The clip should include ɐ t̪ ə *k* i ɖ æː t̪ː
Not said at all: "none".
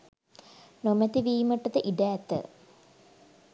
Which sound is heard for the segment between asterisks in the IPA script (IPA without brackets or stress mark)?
ʔ